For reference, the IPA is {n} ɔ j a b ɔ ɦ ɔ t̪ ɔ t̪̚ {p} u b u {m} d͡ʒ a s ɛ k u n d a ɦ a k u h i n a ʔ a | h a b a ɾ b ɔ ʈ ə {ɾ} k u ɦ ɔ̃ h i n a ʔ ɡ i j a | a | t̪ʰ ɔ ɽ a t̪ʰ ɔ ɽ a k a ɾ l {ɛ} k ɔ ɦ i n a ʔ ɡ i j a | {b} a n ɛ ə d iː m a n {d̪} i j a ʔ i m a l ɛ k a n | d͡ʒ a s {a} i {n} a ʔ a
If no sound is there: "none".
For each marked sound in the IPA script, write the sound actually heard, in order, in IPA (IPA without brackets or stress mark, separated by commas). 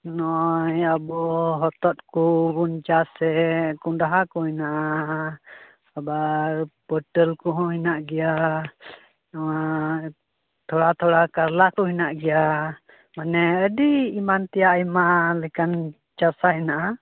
n, k, n, l, a, m, t̪, a, n